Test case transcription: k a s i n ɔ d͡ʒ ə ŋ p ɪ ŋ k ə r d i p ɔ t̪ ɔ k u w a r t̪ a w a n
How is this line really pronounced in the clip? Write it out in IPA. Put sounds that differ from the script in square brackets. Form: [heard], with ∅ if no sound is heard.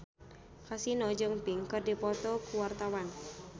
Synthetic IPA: k a s i n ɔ d͡ʒ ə ŋ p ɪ ŋ k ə r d i p ɔ t̪ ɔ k u w a r t̪ a w a n